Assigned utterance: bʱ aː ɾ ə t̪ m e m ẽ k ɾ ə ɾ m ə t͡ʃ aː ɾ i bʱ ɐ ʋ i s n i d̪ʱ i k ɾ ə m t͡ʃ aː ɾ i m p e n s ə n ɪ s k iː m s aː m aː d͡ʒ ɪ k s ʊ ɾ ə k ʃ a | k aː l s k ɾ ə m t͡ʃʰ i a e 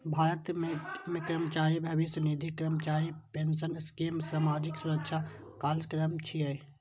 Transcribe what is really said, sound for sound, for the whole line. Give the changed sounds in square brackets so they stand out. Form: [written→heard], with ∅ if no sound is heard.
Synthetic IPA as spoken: bʱ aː ɾ ə t̪ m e m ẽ k ɾ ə [ɾ→∅] m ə t͡ʃ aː ɾ i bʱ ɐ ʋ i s n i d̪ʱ i k ɾ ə m t͡ʃ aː ɾ i [m→∅] p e n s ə n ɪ s k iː m s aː m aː d͡ʒ ɪ k s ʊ ɾ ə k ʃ a | k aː l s k ɾ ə m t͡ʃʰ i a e